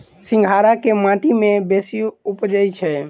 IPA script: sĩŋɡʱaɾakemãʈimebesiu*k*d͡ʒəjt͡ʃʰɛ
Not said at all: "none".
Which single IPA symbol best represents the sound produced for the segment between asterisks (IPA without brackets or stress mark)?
p